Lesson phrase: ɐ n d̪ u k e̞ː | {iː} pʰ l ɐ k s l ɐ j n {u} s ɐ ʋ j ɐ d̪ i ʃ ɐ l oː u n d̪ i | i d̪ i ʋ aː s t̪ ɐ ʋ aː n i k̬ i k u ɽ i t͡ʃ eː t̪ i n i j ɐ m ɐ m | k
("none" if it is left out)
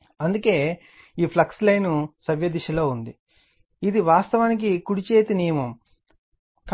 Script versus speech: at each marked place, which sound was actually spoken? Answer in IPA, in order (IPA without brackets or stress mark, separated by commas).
iː, u